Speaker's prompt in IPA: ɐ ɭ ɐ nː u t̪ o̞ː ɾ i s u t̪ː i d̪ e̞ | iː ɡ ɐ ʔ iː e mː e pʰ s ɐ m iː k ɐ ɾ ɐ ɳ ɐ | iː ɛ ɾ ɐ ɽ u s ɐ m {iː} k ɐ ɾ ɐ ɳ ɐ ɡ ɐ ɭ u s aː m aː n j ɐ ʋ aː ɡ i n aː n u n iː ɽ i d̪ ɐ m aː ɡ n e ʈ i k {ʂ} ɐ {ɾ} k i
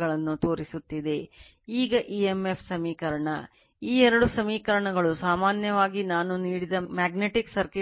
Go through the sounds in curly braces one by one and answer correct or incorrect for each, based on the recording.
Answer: correct, incorrect: s, correct

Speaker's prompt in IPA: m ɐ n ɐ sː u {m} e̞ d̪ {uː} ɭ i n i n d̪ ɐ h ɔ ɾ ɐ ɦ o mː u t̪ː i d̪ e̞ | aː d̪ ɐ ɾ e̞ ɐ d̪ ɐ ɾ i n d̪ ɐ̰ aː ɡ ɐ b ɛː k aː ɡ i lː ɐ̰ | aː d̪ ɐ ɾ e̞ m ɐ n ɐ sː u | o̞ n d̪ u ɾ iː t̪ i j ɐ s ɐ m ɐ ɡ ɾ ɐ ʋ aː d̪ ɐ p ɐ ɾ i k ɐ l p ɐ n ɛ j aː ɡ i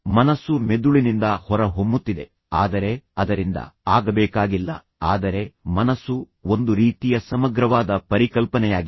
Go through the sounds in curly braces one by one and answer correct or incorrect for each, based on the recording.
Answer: correct, incorrect: u

